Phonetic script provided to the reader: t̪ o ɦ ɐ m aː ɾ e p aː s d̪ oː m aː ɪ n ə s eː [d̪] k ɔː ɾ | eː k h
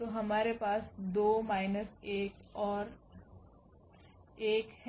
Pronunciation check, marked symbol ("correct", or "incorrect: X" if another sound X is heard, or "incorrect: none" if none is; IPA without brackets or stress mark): incorrect: none